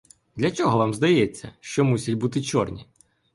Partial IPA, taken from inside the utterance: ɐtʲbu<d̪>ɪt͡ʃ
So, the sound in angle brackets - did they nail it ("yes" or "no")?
no